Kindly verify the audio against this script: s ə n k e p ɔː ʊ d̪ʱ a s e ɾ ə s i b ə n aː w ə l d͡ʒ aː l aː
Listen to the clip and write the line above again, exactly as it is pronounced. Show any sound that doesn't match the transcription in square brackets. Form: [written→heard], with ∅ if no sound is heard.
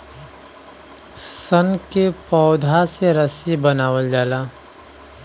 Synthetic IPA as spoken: s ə n k e p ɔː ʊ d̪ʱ a s e ɾ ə s i b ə n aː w ə l d͡ʒ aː l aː